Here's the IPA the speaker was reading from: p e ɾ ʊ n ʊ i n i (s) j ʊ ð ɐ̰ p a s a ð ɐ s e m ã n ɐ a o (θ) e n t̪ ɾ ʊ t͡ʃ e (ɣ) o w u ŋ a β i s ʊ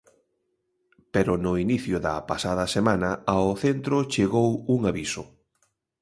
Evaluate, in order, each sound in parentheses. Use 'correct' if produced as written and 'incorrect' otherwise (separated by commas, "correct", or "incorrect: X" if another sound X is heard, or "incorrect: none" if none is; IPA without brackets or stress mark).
incorrect: θ, correct, correct